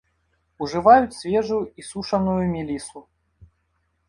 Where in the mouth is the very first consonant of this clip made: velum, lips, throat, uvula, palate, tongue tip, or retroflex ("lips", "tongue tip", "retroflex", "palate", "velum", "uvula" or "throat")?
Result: retroflex